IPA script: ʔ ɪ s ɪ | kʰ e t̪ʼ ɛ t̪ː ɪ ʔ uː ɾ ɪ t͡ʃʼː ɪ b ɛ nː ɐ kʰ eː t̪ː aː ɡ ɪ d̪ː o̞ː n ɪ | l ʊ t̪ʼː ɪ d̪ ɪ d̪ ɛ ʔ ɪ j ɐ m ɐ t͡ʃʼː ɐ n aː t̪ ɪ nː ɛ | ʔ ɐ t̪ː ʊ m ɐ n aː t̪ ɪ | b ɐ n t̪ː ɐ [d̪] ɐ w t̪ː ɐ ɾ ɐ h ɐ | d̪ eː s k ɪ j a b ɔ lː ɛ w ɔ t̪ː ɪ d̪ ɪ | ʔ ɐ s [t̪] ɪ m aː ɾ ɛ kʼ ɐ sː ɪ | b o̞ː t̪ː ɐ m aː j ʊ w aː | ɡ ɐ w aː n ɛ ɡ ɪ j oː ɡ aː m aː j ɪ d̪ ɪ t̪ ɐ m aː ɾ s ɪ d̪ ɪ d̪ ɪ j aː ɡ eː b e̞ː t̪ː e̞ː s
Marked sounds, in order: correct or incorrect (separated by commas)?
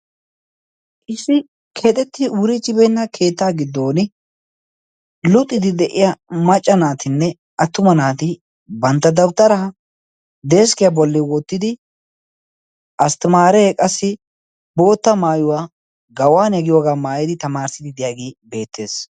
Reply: correct, correct